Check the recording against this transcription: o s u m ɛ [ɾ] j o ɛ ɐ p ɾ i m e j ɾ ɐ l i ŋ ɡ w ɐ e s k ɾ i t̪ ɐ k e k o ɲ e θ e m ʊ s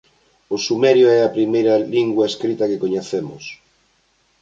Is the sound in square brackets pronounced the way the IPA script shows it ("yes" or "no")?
yes